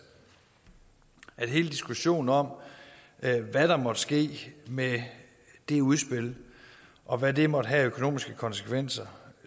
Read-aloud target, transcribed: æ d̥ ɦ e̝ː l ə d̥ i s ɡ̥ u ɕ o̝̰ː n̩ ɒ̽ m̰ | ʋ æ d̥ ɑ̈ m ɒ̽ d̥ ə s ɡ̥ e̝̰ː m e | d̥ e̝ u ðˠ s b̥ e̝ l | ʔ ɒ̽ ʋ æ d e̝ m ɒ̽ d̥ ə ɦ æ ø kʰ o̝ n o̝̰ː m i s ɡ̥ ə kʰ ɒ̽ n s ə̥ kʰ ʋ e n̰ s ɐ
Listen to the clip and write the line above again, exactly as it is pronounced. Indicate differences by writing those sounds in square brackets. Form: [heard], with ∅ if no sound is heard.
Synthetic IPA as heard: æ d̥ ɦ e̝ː l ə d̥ i s ɡ̥ u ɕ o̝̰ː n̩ ɒ̽ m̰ | ʋ æ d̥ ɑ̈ m ɒ̽ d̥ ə s ɡ̥ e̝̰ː m e | d̥ e̝ u ðˠ s b̥ e̝ l | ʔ ɒ̽ ʋ æ d e̝ m ɒ̽ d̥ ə ɦ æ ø kʰ o̝ n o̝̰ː m i s ɡ̥ ə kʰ ɒ̽ n s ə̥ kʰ ʋ e n̰ s ɐ

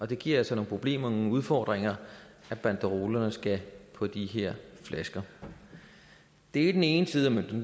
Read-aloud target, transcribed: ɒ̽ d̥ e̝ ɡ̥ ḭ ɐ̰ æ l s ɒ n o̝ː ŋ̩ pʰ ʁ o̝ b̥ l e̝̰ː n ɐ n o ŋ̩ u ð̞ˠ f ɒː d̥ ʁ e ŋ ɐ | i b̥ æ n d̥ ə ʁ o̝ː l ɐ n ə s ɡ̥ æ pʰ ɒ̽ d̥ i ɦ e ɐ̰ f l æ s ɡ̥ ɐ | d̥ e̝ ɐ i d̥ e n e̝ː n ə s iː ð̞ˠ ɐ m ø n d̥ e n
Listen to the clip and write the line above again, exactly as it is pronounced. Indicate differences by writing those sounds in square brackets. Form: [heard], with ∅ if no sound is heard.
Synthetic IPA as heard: ɒ̽ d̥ e̝ ɡ̥ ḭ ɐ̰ æ l s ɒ n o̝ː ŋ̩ pʰ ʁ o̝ b̥ l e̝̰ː [m] ɐ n o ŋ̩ u ð̞ˠ f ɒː d̥ ʁ e ŋ ɐ | [æ] b̥ æ n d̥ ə ʁ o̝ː l ɐ n ə s ɡ̥ æ pʰ ɒ̽ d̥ i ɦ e ɐ̰ f l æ s ɡ̥ ɐ | d̥ e̝ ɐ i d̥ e n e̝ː n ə s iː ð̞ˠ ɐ m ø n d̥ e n

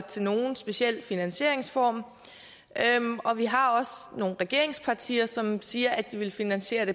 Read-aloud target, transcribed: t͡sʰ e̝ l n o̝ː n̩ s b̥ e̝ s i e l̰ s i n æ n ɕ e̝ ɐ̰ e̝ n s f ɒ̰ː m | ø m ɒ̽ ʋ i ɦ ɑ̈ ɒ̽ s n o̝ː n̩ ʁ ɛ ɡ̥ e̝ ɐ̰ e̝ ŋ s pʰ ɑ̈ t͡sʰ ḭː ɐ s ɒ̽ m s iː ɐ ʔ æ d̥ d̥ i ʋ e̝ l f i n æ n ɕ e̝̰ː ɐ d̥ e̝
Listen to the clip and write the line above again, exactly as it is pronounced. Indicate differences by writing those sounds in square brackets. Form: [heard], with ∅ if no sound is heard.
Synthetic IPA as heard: t͡sʰ e̝ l n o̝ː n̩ s b̥ e̝ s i e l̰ [f] i n æ n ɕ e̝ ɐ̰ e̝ [ŋ] s f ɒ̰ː m | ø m ɒ̽ ʋ i ɦ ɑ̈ ɒ̽ s n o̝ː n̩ ʁ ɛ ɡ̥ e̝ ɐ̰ e̝ ŋ s pʰ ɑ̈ t͡sʰ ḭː ɐ s ɒ̽ m s iː ɐ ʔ æ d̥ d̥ i ʋ e̝ l f i n æ n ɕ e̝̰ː ɐ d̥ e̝

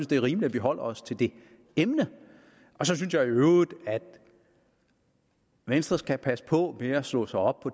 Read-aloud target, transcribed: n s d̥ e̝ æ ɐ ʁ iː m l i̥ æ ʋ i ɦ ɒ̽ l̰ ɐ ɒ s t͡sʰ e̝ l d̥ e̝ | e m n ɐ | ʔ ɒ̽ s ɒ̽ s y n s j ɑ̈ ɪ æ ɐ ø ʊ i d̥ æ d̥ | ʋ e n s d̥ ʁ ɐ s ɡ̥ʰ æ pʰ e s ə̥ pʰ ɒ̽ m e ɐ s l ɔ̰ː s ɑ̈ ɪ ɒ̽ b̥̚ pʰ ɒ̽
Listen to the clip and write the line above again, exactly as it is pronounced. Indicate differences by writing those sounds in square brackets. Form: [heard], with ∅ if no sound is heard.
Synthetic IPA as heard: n s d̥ e̝ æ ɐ ʁ iː m l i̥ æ ʋ i ɦ ɒ̽ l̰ ɐ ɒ s t͡sʰ e̝ l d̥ e̝ | e m n [ə] | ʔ ɒ̽ s ɒ̽ s y n s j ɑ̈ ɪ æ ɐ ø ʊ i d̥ æ d̥ | ʋ e n s d̥ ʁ ɐ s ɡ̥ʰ æ pʰ [æ] s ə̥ pʰ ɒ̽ m e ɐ s l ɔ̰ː s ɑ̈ ɪ ɒ̽ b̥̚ pʰ ɒ̽

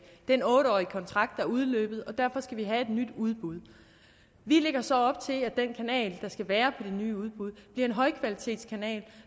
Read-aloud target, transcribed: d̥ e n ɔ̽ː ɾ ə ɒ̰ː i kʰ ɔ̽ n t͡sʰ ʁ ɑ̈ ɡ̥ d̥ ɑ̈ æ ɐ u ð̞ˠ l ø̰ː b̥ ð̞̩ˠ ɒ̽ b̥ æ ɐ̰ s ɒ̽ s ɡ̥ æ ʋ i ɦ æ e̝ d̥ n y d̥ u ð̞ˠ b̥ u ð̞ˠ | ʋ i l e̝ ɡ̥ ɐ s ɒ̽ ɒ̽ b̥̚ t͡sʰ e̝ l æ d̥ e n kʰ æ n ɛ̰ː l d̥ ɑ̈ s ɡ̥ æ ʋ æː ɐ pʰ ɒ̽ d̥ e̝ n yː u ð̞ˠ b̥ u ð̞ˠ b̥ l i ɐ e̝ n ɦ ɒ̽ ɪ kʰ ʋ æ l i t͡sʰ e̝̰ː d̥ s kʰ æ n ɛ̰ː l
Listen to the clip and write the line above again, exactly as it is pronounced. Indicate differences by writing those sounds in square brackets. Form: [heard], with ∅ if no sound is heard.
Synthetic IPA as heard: d̥ e n ɔ̽ː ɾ ə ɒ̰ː i kʰ [ɒ̽] n t͡sʰ ʁ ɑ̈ ɡ̥ d̥ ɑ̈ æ ɐ u ð̞ˠ l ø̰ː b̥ ð̞̩ˠ ɒ̽ [d̥] æ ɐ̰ [f] ɒ̽ s ɡ̥ æ ʋ i ɦ æ e̝ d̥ n y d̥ u ð̞ˠ b̥ u ð̞ˠ | ʋ i l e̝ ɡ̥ ɐ s ɒ̽ ɒ̽ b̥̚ t͡sʰ e̝ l æ d̥ e n kʰ æ n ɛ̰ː l d̥ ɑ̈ s ɡ̥ æ ʋ æː ɐ pʰ ɒ̽ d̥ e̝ n yː u ð̞ˠ b̥ u ð̞ˠ b̥ l i ɐ e̝ n ɦ ɒ̽ ɪ kʰ ʋ æ l i t͡sʰ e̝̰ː d̥ s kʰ æ n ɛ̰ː l

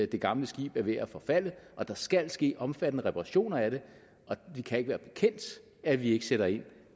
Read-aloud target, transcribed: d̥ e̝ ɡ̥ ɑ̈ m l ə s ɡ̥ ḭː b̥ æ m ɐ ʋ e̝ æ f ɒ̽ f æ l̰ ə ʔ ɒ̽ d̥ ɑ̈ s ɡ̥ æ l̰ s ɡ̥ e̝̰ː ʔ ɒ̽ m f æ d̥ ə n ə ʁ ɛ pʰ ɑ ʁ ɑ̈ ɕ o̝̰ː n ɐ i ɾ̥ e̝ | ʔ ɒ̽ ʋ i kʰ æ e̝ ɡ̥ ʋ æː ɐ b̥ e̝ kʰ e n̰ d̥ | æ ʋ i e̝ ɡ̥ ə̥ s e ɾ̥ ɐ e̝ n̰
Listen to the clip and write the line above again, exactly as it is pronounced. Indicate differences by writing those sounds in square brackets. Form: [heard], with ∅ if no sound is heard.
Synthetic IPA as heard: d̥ e̝ ɡ̥ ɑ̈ m l ə s ɡ̥ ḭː b̥ æ [∅] ɐ ʋ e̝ æ f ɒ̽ f æ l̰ ə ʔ ɒ̽ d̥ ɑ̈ s ɡ̥ æ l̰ s ɡ̥ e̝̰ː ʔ ɒ̽ m f æ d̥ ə n ə ʁ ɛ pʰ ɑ ʁ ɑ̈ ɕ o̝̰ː n ɐ [æ] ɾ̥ e̝ | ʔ ɒ̽ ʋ i kʰ æ e̝ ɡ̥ ʋ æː ɐ b̥ e̝ kʰ e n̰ d̥ | æ ʋ i e̝ ɡ̥ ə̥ s e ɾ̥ ɐ e̝ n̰

